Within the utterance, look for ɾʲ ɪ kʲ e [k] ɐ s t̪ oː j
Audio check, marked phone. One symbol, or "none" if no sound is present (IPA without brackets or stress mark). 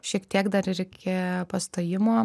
p